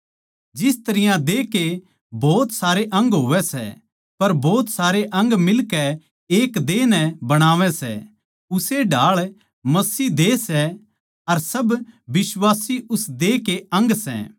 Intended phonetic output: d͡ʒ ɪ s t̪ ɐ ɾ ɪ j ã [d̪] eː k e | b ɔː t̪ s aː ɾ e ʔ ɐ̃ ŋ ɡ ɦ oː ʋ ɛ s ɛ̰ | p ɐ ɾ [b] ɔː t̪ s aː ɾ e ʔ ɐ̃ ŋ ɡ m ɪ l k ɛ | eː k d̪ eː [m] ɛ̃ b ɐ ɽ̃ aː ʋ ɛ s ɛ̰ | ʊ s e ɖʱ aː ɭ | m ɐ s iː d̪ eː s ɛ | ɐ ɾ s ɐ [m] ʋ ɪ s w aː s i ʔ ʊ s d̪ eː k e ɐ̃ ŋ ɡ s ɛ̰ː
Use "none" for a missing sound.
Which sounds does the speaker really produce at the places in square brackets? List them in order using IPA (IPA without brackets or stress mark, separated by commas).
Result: d̪, b, n, b